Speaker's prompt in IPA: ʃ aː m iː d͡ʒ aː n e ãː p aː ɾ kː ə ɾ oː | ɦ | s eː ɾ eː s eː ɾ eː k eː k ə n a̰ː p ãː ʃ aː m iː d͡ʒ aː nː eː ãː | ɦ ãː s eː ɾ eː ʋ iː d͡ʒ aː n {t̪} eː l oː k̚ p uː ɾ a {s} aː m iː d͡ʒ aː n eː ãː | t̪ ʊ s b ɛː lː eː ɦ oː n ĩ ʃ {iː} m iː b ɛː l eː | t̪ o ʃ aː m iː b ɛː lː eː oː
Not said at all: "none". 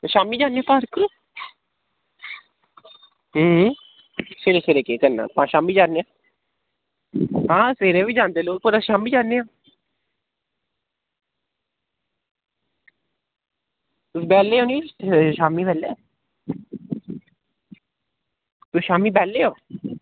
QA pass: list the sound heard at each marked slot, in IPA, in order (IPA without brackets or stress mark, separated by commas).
d̪, ʃ, aː